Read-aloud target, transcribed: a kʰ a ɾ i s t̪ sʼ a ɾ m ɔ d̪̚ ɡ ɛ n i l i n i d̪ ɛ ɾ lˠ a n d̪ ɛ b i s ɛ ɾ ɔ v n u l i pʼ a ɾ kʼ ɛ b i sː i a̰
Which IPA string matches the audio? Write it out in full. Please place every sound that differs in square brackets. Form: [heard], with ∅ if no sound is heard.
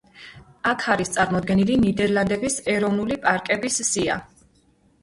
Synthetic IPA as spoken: a kʰ a ɾ i s t̪ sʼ a ɾ m ɔ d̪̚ ɡ ɛ n i l i n i d̪ ɛ ɾ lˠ a n d̪ ɛ b i s ɛ ɾ ɔ v n u l i pʼ a ɾ kʼ ɛ b i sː i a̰